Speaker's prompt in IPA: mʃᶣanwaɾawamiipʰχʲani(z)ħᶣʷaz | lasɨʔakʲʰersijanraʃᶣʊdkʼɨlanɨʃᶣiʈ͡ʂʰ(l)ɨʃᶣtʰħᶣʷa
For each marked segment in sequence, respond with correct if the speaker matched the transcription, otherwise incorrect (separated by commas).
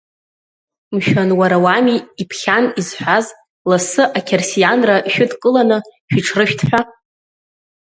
correct, incorrect